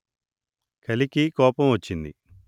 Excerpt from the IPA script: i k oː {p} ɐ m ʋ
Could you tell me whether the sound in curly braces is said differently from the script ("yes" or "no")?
no